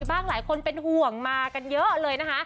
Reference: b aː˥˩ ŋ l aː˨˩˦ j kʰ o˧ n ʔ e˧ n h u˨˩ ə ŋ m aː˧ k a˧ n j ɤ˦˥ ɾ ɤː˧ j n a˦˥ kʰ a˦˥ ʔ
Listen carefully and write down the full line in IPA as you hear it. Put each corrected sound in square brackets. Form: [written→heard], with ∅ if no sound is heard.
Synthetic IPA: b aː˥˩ ŋ l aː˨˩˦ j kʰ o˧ n [ʔ→p] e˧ n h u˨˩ ə ŋ m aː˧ k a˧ n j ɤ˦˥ [ɾ→l] ɤː˧ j n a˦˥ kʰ a˦˥ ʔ